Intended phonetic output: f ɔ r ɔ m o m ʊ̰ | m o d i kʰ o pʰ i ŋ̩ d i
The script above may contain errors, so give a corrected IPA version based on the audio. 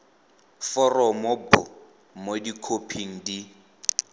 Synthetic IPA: f ɔ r ɔ m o b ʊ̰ | m o d i kʰ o pʰ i ŋ̩ d i